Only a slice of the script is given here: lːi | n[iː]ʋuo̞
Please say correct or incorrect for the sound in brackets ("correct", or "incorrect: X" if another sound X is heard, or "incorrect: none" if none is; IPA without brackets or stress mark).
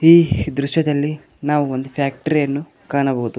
incorrect: aː